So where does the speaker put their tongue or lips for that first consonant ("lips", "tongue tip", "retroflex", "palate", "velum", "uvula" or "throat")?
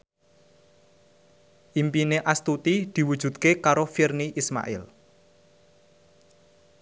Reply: throat